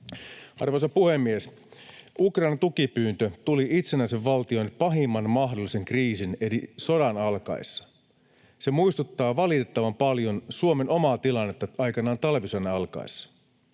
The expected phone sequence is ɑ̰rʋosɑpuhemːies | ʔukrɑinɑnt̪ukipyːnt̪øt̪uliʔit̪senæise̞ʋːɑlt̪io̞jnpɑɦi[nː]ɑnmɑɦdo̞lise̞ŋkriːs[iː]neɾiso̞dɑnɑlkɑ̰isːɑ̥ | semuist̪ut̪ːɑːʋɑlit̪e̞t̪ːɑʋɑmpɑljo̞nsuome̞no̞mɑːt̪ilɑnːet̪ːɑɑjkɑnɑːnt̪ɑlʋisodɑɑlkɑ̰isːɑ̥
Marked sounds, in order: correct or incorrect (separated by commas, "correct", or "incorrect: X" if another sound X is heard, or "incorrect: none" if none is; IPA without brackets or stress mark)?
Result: incorrect: mː, incorrect: i